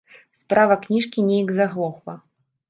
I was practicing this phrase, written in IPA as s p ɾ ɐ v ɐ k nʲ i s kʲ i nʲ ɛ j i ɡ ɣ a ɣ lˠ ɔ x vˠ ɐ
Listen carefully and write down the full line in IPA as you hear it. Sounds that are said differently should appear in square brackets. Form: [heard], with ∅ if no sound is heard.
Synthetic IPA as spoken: s p ɾ [a] v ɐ k nʲ i [ʂ] kʲ i nʲ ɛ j i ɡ [z] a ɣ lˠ ɔ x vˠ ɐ